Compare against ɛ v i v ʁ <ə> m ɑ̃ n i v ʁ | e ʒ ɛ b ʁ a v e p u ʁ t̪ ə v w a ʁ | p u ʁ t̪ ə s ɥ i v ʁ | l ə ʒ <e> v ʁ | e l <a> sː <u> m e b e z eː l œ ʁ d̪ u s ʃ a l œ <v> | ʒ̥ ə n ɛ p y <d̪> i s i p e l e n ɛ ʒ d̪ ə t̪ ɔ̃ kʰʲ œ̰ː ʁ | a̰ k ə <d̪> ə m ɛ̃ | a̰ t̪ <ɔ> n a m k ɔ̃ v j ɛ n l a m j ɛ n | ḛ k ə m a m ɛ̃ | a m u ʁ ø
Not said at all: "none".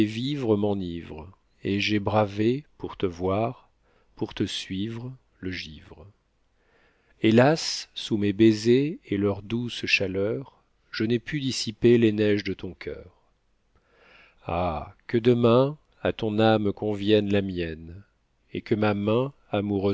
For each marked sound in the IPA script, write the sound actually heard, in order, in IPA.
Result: ə, i, a, u, ʁ, d̪, d̪, ɔ̃

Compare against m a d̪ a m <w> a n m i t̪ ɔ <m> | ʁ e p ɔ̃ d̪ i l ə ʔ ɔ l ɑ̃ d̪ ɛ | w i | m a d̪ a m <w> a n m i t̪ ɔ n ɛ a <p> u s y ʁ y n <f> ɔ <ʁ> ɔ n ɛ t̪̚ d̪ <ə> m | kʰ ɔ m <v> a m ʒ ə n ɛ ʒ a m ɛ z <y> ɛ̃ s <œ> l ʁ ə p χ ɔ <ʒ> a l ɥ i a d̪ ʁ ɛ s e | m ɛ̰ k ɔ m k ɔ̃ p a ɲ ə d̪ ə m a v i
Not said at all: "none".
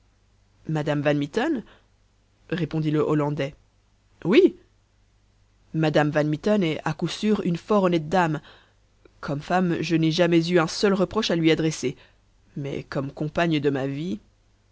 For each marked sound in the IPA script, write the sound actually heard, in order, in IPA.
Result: v, n, v, k, f, ʁ, a, f, y, œ, ʃ

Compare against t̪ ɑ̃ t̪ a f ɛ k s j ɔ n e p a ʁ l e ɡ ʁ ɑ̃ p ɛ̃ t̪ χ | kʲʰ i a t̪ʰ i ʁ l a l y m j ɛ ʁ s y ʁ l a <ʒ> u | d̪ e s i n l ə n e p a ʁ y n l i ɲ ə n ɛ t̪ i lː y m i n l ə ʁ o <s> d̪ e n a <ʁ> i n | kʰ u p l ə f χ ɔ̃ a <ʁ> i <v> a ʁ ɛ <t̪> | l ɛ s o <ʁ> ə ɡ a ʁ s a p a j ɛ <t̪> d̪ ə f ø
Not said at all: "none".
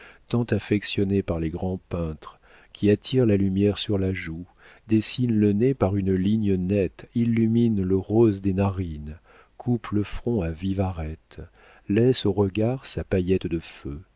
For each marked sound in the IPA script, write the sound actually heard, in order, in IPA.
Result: ʒ, z, ʁ, v, v, t̪, ʁ, t̪

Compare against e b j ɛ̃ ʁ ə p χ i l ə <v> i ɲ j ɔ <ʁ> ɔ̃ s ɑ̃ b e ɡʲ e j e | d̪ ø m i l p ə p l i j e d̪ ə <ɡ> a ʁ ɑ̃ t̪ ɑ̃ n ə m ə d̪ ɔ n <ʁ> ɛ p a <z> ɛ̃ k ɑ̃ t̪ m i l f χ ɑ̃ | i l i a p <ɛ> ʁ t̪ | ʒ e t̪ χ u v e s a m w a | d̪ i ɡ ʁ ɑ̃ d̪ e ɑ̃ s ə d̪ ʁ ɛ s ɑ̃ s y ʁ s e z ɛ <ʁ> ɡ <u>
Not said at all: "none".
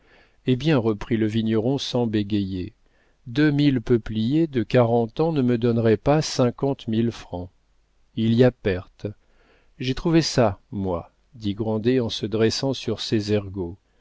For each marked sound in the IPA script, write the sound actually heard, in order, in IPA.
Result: v, ʁ, k, ʁ, s, ɛ, ʁ, o

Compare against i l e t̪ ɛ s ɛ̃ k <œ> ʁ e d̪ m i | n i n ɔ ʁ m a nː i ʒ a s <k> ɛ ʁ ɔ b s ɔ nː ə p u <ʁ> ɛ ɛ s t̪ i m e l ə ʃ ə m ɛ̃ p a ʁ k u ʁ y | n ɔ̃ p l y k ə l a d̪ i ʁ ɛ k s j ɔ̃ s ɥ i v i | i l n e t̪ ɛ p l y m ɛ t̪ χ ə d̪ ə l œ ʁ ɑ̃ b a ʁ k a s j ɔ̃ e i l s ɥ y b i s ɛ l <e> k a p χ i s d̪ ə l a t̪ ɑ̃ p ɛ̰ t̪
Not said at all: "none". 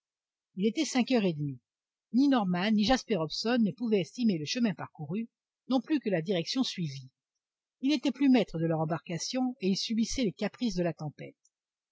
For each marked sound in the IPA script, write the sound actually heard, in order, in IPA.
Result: œ, p, v, e

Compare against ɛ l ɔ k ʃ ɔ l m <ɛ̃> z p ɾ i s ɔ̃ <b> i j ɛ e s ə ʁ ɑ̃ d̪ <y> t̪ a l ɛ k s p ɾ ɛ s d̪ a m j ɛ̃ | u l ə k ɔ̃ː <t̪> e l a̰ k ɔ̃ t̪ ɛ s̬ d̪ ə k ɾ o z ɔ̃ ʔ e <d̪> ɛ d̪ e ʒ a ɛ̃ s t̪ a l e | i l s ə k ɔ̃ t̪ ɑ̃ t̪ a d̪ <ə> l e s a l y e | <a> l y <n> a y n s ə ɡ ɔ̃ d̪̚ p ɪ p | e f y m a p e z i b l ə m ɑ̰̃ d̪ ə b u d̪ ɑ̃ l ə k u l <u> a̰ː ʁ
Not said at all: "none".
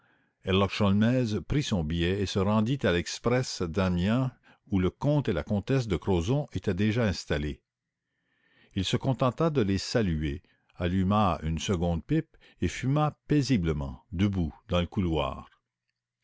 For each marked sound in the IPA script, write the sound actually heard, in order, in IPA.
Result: ɛ, b, i, t̪, t̪, ə, a, m, w

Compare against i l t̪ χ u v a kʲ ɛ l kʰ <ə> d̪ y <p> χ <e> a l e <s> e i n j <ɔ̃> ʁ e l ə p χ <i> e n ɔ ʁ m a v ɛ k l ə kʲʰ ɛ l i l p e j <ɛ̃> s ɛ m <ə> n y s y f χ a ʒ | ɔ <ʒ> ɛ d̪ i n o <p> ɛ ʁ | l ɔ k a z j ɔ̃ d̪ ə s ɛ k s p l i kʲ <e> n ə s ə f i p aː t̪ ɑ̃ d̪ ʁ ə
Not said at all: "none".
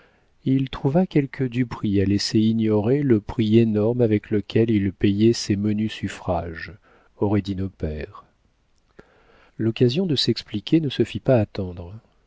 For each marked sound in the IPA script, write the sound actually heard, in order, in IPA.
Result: ə, p, i, s, ɔ, i, ɛ, ə, ʁ, p, e

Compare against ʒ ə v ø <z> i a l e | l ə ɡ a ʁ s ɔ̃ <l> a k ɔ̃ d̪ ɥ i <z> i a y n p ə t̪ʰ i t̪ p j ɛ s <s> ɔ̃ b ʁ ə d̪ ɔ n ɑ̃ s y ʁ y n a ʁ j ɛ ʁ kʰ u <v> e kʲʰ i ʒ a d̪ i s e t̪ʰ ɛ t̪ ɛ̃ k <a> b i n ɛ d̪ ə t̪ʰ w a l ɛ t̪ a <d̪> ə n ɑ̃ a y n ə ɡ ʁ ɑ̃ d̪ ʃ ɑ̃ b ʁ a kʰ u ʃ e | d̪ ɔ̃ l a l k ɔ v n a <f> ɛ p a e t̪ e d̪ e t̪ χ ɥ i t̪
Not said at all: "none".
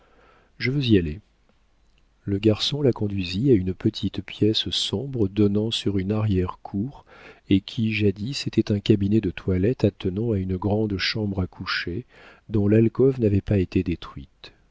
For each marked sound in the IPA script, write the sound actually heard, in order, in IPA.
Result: z, l, z, s, ʁ, a, t̪, v

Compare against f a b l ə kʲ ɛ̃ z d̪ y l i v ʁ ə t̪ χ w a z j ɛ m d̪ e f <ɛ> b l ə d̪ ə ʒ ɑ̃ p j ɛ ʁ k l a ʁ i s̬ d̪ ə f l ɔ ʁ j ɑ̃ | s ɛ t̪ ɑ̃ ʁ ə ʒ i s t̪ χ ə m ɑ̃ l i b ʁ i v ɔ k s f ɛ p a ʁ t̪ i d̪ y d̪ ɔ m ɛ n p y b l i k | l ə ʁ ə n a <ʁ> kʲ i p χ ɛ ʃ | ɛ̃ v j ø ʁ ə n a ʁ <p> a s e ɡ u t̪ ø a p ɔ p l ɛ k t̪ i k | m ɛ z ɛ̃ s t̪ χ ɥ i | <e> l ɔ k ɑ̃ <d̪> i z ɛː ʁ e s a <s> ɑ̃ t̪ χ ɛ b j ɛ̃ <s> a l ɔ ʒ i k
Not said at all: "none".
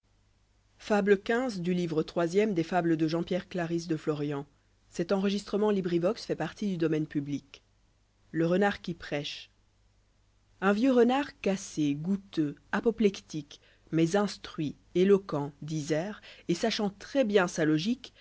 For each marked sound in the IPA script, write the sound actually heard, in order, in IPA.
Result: a, ʁ, k, e, d̪, ʃ, s

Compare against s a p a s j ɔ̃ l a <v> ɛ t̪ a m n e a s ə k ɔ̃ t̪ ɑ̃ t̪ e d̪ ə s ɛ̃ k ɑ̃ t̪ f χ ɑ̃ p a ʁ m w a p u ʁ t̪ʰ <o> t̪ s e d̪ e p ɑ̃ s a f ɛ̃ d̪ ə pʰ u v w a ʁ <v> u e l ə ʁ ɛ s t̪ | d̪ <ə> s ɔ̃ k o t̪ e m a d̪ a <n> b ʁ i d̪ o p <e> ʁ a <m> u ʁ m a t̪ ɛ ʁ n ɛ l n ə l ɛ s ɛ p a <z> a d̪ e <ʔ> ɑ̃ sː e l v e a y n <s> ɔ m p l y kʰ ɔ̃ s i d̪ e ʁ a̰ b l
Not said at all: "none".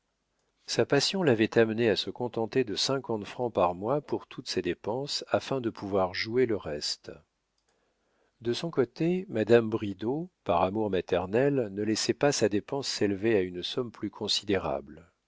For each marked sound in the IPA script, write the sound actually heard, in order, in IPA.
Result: v, u, ʒ, ə, m, a, m, s, p, s

